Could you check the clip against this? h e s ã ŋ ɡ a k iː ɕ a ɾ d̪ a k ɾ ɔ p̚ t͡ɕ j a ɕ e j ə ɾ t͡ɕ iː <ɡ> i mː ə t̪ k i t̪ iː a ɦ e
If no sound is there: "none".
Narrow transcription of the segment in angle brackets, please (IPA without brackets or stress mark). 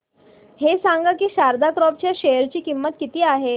k